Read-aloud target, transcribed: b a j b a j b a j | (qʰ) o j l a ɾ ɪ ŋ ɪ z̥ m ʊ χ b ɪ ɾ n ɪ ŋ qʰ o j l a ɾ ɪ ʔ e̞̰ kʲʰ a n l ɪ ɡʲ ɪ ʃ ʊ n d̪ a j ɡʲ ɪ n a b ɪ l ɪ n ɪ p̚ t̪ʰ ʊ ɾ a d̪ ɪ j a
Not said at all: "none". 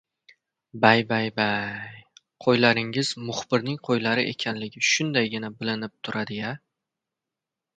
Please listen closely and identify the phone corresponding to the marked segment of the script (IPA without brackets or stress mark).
qʰ